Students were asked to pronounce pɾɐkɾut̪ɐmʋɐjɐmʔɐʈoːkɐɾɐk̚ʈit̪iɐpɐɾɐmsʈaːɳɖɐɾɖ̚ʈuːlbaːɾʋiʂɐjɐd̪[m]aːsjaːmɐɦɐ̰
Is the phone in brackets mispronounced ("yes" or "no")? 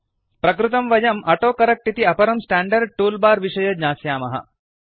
yes